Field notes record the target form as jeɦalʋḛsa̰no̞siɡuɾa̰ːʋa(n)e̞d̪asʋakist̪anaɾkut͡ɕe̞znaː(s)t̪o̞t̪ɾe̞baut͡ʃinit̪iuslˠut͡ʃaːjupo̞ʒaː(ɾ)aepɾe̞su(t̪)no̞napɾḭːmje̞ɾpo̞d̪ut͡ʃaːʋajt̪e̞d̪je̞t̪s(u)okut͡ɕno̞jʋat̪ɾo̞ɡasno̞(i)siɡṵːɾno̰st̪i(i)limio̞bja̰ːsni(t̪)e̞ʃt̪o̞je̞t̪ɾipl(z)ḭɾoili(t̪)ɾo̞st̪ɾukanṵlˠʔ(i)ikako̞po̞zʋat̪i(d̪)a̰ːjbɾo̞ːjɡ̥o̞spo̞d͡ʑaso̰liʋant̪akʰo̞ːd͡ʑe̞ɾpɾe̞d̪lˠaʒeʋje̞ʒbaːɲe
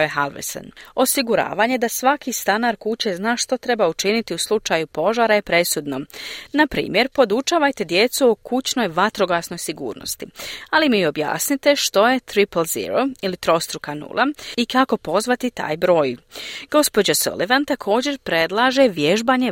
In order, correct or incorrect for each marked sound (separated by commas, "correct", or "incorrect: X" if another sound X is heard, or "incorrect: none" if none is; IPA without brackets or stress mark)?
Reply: incorrect: ɲ, incorrect: ʃ, correct, incorrect: d̪, correct, incorrect: j, incorrect: a, correct, correct, correct, incorrect: a, incorrect: t̪